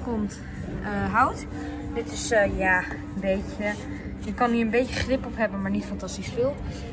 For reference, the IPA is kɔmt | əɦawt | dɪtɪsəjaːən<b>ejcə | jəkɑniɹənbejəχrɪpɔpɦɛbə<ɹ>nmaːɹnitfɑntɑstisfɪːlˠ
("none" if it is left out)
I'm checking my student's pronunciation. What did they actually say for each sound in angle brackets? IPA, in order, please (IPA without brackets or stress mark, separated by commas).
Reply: b, none